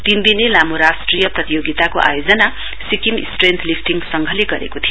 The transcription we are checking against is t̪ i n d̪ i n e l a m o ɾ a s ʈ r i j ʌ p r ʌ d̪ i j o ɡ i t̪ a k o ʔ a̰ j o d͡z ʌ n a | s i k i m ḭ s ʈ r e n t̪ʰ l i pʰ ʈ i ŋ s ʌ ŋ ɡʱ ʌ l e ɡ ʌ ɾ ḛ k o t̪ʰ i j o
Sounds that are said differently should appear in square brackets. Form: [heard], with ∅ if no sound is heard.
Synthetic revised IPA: t̪ i n d̪ i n e l a m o ɾ a s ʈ r i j ʌ p r ʌ [t̪] i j o ɡ i t̪ a k o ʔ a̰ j o d͡z ʌ n a | s i k i m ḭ s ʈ r e n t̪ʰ l i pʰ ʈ i ŋ s ʌ ŋ ɡʱ ʌ l e ɡ ʌ ɾ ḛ k o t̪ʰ i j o